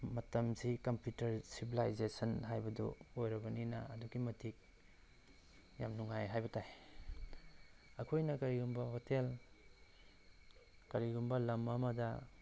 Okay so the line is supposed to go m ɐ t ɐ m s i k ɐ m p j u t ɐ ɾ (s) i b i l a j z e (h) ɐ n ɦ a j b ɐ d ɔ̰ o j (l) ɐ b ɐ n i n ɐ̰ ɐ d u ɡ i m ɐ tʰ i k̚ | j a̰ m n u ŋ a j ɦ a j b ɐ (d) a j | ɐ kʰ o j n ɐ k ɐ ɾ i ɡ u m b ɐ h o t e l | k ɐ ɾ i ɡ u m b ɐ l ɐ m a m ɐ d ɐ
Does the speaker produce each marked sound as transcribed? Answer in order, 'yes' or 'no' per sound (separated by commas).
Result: yes, no, no, no